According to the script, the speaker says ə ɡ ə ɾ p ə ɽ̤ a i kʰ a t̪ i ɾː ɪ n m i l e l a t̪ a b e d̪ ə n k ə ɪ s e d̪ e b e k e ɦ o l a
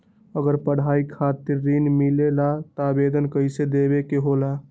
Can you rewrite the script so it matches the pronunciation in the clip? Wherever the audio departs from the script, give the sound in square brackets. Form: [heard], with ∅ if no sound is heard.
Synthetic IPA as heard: ə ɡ ə ɾ p ə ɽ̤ a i kʰ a t̪ i ɾː [i] n m i l e l a t̪ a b e d̪ ə n k ə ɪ s e d̪ e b e k e ɦ o l a